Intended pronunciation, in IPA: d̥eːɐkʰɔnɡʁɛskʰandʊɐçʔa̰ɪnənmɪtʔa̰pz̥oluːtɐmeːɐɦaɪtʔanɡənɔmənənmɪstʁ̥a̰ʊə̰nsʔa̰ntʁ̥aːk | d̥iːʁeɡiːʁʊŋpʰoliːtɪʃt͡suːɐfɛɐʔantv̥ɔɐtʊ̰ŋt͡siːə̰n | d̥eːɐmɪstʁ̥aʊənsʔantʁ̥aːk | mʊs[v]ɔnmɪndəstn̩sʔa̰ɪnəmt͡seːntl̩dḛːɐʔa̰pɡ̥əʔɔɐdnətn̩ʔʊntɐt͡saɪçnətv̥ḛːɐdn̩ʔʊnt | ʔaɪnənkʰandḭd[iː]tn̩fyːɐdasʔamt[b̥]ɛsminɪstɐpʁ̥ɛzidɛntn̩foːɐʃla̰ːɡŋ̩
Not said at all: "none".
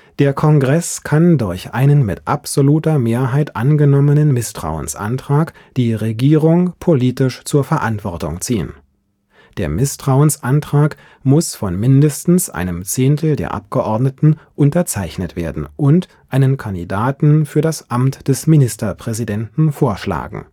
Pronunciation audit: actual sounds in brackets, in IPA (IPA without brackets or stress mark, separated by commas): f, aː, d̥